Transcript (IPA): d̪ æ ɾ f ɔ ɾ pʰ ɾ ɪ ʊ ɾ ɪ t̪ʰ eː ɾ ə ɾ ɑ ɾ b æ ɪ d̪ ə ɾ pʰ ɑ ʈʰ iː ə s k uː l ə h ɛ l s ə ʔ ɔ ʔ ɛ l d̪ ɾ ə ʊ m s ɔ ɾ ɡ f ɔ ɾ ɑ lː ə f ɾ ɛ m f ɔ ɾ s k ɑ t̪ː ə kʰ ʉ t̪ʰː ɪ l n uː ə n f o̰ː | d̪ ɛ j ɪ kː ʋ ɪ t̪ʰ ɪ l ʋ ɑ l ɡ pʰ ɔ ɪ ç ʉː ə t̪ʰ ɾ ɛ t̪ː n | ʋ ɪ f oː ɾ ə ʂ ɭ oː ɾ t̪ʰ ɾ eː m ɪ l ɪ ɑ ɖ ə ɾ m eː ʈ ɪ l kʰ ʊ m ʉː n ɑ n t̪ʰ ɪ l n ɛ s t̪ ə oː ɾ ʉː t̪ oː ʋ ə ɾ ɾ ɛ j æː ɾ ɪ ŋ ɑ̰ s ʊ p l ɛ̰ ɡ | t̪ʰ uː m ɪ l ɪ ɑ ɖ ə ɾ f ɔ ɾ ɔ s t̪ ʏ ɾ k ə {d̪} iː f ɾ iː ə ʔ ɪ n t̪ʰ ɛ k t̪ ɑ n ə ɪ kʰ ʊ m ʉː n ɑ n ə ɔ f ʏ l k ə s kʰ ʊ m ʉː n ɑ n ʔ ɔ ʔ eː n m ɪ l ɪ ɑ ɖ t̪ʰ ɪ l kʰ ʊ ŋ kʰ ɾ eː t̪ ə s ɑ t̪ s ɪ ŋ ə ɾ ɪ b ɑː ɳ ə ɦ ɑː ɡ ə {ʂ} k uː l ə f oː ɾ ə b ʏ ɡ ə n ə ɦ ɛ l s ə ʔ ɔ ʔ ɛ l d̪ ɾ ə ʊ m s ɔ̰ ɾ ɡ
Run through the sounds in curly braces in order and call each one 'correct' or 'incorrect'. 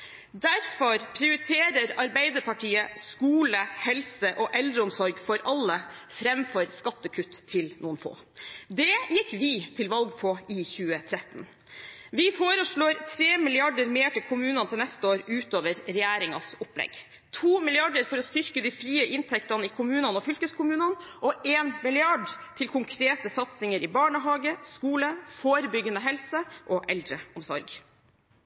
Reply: correct, incorrect: s

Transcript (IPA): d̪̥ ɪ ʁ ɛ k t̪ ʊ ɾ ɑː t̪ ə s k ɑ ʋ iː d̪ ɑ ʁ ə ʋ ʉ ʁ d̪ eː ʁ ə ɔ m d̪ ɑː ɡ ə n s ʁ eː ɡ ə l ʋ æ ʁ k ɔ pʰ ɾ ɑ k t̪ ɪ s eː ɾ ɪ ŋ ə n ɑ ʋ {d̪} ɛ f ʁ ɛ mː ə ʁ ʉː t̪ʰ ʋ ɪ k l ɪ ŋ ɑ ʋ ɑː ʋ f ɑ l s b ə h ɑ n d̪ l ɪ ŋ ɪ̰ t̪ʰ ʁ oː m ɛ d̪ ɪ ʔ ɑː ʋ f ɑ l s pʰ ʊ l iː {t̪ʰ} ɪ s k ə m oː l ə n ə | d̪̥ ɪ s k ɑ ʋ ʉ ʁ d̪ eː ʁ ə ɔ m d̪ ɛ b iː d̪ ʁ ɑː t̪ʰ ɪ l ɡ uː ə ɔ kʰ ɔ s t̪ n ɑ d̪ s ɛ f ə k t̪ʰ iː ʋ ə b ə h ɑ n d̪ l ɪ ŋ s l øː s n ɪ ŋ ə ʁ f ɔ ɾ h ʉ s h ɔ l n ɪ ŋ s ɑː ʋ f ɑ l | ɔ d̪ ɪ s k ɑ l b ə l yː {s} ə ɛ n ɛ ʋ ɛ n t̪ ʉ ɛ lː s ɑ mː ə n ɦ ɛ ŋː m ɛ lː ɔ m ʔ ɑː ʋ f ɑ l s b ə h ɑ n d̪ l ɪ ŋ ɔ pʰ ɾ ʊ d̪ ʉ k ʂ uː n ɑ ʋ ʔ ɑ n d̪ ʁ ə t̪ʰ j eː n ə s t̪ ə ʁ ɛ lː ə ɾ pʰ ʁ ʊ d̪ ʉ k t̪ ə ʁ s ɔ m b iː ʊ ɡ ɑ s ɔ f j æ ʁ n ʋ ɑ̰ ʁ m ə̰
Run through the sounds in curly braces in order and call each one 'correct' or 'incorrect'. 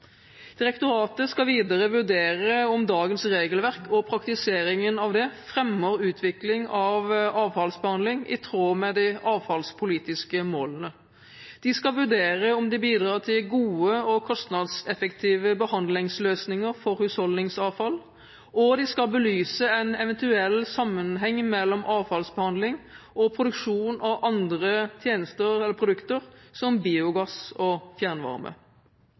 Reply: correct, incorrect: t̪, correct

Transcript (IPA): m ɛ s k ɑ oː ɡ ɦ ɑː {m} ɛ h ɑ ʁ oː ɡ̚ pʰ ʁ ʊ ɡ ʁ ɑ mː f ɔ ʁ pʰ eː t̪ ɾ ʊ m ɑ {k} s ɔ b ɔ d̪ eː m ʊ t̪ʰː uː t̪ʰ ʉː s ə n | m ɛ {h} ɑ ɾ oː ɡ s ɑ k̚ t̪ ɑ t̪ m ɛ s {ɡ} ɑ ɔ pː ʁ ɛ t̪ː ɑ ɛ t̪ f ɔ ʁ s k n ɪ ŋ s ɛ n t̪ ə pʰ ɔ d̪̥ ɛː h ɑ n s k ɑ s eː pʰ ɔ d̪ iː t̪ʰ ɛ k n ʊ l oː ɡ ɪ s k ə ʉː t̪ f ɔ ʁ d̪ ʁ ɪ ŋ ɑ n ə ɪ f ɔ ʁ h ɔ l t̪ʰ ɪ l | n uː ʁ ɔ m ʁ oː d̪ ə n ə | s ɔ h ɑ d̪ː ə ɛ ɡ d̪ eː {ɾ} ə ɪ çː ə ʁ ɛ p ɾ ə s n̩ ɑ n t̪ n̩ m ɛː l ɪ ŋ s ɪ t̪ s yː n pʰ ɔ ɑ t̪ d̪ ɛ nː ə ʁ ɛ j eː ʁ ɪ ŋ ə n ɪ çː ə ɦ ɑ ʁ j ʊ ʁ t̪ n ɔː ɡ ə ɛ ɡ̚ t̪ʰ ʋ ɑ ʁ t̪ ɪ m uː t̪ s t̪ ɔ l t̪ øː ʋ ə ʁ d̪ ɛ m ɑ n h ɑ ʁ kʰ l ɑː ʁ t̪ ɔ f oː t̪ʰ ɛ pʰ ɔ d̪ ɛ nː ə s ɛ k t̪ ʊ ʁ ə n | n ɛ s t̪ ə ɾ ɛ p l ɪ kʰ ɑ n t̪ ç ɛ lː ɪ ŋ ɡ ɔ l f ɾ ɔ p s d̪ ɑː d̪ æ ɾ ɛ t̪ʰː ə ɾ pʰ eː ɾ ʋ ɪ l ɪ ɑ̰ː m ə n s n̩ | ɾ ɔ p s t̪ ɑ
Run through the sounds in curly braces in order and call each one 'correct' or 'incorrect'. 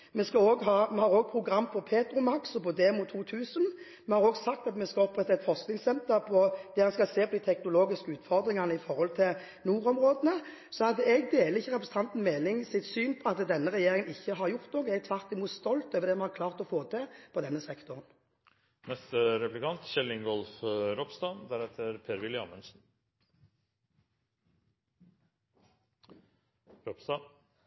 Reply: correct, correct, correct, incorrect: k, incorrect: l

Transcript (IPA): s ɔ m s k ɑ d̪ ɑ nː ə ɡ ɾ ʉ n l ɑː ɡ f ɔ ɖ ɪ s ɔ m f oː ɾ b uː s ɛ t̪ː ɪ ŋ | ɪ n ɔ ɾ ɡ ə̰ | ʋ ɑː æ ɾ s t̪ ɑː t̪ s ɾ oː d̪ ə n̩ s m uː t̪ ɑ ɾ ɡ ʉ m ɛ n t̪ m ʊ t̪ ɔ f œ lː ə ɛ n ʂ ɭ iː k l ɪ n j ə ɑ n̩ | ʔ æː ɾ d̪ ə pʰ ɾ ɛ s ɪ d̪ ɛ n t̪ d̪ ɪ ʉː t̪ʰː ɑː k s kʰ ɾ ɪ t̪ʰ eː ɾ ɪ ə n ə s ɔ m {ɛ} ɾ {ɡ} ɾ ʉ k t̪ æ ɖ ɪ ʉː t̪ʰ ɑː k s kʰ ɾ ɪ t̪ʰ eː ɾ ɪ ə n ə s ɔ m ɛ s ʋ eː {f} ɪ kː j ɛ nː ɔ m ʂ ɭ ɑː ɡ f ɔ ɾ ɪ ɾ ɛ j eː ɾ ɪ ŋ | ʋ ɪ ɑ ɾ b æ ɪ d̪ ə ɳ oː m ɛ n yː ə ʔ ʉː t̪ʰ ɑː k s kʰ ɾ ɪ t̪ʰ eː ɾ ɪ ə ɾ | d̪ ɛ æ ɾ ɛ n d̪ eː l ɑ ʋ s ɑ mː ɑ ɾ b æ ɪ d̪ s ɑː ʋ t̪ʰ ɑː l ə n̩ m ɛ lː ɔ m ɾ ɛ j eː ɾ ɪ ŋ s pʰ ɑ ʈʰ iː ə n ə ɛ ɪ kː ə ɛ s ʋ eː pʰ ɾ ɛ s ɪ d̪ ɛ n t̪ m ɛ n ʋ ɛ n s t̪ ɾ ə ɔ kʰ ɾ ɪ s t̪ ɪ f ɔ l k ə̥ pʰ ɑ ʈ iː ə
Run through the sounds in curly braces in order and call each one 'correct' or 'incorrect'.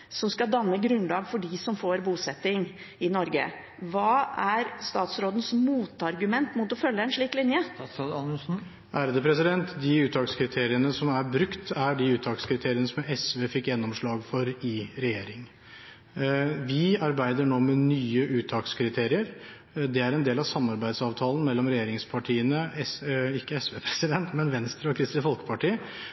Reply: incorrect: æ, incorrect: b, correct

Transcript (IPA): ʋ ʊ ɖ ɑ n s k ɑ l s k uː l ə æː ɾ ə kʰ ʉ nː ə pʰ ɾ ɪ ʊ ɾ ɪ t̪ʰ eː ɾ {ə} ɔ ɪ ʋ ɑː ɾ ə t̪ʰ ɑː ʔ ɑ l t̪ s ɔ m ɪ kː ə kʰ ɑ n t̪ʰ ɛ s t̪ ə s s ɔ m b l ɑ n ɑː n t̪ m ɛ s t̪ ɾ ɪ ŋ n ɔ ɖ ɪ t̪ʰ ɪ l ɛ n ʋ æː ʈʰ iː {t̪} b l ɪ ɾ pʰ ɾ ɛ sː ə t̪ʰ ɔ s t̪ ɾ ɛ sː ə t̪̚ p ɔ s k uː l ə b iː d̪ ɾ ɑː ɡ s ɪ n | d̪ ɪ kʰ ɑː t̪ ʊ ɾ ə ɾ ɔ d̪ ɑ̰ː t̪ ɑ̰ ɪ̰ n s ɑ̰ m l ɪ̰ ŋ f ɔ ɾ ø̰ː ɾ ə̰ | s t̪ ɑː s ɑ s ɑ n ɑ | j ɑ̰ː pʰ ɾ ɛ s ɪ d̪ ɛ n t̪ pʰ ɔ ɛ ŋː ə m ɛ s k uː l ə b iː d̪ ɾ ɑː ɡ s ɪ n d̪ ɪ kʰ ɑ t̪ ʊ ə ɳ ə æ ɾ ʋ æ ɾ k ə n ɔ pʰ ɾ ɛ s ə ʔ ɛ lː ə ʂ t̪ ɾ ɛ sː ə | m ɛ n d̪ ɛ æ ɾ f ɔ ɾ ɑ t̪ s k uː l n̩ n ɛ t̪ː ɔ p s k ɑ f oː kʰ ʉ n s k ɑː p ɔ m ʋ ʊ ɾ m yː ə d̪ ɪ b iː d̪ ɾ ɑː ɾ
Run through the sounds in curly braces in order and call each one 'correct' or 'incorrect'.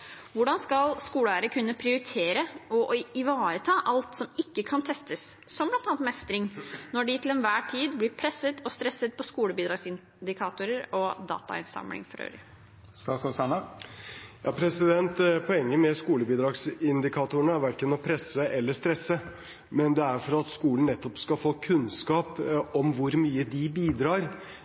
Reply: correct, incorrect: d̪

